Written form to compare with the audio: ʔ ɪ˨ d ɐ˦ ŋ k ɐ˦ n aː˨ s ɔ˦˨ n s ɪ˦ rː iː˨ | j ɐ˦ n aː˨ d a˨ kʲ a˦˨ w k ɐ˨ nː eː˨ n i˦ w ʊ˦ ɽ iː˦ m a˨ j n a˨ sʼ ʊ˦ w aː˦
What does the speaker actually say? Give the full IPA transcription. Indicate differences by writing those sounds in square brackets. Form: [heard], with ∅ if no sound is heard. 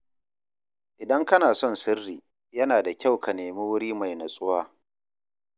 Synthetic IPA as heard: ʔ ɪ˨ d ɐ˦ ŋ k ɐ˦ n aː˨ s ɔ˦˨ n s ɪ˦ rː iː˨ | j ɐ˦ n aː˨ d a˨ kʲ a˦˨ w k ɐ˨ [n] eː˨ [m] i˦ w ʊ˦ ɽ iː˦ m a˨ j n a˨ sʼ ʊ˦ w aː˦